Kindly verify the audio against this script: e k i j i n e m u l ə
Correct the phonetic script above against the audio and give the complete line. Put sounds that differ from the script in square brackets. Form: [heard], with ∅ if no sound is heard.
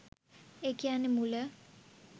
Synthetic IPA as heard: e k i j [a] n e m u l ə